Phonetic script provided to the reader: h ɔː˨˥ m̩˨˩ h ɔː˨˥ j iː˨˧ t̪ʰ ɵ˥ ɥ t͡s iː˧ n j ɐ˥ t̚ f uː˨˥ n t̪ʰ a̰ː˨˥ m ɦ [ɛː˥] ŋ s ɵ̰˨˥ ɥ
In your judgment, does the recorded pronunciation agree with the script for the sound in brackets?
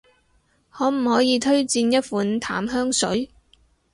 no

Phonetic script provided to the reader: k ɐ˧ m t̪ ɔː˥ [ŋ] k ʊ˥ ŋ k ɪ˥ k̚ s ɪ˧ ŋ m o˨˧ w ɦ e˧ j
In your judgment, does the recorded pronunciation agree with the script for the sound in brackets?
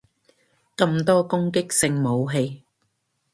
no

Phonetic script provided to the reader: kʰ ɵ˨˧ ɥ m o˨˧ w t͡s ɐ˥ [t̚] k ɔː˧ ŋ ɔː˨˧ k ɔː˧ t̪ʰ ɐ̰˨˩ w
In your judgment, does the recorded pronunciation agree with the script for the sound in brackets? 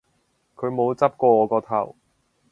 no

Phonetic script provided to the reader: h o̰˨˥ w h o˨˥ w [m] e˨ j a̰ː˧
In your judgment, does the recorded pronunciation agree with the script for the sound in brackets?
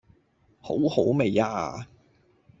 yes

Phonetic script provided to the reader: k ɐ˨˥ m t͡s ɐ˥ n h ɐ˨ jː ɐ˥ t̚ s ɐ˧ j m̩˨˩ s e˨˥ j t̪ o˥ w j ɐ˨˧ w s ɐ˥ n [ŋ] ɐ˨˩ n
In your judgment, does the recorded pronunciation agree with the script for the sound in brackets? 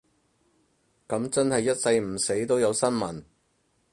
no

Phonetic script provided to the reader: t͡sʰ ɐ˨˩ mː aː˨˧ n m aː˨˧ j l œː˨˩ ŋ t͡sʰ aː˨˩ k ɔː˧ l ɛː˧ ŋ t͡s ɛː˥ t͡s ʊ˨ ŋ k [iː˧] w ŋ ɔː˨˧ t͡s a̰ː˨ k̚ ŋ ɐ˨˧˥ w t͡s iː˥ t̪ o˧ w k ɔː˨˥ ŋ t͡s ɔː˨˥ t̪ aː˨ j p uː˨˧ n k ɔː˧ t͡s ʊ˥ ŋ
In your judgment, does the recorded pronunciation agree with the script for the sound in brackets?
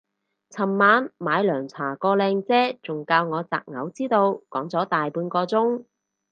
no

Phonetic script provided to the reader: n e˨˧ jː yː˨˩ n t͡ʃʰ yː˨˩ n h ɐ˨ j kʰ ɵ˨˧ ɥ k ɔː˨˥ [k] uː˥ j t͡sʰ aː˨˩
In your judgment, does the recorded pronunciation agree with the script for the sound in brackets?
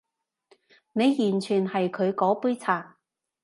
no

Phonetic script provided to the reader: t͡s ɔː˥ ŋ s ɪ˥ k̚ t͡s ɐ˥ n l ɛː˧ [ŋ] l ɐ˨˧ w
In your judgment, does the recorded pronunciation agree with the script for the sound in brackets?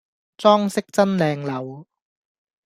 yes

